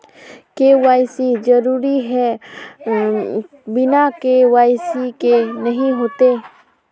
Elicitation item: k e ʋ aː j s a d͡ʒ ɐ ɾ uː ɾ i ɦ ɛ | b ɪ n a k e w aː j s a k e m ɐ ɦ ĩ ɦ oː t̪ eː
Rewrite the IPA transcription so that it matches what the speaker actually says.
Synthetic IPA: k e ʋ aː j s i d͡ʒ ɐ ɾ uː ɾ i ɦ ɛ | b ɪ n a k e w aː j s i k e n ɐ ɦ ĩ ɦ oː t̪ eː